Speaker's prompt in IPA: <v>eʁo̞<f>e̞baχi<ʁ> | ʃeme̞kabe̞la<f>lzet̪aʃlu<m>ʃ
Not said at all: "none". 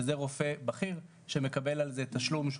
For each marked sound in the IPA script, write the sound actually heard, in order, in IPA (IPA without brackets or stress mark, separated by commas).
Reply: z, f, ʁ, none, m